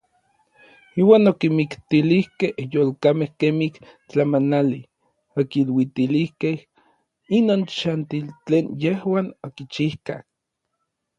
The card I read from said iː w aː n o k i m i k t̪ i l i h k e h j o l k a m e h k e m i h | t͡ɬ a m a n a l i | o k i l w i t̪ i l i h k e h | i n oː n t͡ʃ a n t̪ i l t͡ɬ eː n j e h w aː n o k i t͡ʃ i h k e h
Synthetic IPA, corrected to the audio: iː w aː n o k i m i k t̪ i l i h k e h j o l k a m e h k e m i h | t͡ɬ a m a n a l i | o k i l w i t̪ i l i h k e h | i n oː n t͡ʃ a n t̪ i l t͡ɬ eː n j e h w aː n o k i t͡ʃ i h k a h